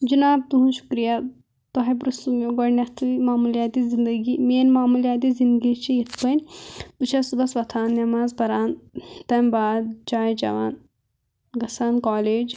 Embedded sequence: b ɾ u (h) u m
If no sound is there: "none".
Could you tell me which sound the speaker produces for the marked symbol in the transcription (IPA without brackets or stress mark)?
s